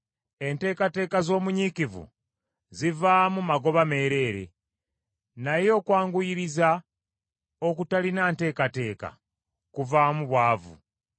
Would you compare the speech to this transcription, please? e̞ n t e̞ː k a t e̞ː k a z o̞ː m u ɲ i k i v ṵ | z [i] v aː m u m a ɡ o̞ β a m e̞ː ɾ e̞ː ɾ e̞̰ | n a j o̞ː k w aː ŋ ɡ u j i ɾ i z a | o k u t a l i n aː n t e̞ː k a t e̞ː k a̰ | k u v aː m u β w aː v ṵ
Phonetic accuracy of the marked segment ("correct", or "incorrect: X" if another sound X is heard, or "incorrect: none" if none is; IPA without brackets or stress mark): correct